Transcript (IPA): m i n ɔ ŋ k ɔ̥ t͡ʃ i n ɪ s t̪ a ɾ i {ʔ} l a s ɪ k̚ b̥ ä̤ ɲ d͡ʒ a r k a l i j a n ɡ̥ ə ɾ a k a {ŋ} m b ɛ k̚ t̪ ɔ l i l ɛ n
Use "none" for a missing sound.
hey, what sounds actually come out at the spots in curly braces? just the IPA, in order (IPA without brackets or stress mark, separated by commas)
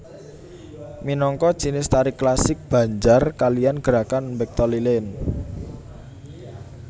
k, n